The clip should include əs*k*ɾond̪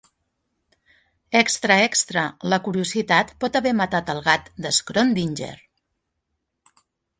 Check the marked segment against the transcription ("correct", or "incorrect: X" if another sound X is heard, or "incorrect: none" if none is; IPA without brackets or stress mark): correct